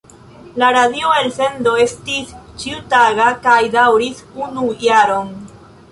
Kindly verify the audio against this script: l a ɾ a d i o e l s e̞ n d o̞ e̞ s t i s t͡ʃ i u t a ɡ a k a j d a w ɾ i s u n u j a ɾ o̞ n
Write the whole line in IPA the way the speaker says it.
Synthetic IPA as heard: l a ɾ a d i o e l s e̞ n d o̞ e̞ s t i s t͡ʃ i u t a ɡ a k a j d a w ɾ i s u n u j a ɾ o̞ n

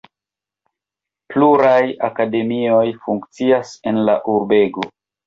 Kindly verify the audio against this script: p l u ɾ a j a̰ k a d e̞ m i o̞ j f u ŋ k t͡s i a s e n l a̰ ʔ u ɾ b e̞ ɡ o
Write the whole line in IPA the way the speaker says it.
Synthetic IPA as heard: p l u ɾ a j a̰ k a d e̞ m i o̞ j f u ŋ k t͡s i a s e n l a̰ ʔ u ɾ b e̞ ɡ o

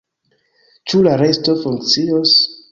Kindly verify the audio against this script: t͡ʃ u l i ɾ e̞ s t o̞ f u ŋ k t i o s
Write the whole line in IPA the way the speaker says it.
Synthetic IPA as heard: t͡ʃ u l a ɾ e̞ s t o̞ f u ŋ k t͡s i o s

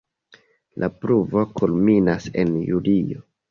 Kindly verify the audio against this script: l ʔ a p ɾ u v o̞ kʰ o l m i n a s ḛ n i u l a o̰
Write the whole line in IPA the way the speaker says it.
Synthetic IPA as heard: l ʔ a p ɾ u v o̞ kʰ u l m i n a s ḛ n j u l i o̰

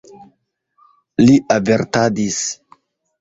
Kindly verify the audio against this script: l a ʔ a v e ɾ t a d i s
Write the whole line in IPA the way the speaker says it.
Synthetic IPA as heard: l i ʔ a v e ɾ t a d i s

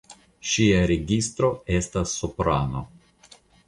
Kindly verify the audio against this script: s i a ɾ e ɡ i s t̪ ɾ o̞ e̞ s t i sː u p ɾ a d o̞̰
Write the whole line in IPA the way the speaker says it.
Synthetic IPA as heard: ʃ i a ɾ e ɡ i s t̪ ɾ o̞ e̞ s t a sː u p ɾ a n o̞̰

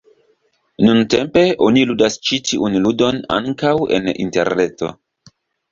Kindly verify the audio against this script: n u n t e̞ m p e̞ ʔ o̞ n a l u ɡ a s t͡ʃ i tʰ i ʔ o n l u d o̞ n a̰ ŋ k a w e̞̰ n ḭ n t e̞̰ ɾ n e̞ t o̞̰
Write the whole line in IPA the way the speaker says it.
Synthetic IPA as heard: n u n t e̞ m p e̞ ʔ o̞ n i l u d a s t͡ʃ i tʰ i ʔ u n l u d o̞ n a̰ ŋ k a w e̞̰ n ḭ n t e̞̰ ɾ n e̞ t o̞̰

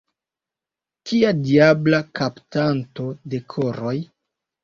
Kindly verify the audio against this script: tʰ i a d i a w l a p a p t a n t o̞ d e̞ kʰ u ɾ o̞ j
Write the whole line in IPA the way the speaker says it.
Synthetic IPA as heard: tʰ i a d i a b l a k a p t a n t o̞ d e̞ kʰ o ɾ o̞ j

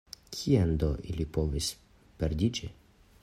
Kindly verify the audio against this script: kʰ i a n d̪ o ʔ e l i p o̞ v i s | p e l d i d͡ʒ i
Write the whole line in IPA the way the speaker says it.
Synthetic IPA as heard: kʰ i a n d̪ o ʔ i l i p o̞ v i s | p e ɾ d i d͡ʒ i

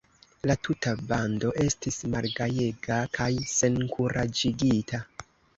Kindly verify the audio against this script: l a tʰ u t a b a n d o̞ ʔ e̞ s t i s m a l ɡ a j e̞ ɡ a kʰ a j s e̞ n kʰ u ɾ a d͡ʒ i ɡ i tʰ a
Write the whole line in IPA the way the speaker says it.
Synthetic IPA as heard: l a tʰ u t a b a n d o̞ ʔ e̞ s t i s m a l ɡ a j e̞ ɡ a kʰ a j s e̞ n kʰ u ɾ a d͡ʒ i ɡ i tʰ a

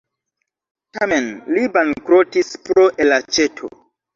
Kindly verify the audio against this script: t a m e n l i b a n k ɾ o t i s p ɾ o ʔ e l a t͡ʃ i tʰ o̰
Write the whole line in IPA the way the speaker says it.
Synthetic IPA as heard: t a m e n l i b a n k ɾ o t i s p ɾ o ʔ e l a t͡ʃ e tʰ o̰

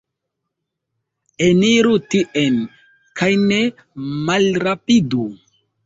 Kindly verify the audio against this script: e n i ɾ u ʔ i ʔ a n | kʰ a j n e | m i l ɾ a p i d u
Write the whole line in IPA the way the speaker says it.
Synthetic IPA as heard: e n i ɾ u t i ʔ e n | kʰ a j n e | m a l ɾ a p i d u

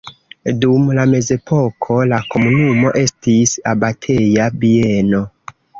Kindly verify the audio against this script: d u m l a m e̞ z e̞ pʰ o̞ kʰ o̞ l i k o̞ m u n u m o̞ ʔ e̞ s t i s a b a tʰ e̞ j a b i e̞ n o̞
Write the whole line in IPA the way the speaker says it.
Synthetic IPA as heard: d u m l a m e̞ z e̞ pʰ o̞ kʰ o̞ l a k o̞ m u n u m o̞ ʔ e̞ s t i s a b a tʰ e̞ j a b i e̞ n o̞

